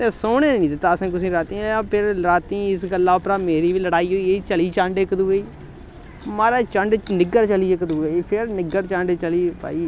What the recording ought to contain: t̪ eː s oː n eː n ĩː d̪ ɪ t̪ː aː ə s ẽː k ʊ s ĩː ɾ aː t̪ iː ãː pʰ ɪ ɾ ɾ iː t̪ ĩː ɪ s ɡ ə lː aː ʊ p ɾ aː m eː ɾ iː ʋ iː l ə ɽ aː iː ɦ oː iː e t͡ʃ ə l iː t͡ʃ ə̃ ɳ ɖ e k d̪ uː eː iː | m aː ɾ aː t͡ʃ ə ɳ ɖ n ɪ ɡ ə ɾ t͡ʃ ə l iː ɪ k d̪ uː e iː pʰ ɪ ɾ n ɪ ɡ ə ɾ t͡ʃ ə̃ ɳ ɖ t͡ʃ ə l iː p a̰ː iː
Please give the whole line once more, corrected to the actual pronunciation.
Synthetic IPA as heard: t̪ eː s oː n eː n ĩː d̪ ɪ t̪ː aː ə s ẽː k ʊ s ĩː ɾ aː t̪ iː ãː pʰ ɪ ɾ ɾ aː t̪ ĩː ɪ s ɡ ə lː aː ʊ p ɾ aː m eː ɾ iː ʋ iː l ə ɽ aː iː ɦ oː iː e t͡ʃ ə l iː t͡ʃ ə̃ ɳ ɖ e k d̪ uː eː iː | m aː ɾ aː t͡ʃ ə ɳ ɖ n ɪ ɡ ə ɾ t͡ʃ ə l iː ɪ k d̪ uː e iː pʰ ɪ ɾ n ɪ ɡ ə ɾ t͡ʃ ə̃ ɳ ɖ t͡ʃ ə l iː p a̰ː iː